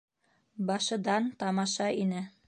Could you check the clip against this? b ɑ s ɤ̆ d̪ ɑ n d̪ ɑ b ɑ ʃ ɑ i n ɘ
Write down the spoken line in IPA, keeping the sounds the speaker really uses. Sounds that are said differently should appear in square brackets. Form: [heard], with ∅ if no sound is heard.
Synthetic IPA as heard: b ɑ [ʃ] ɤ̆ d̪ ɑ n [t̪] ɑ [m] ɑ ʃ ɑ i n ɘ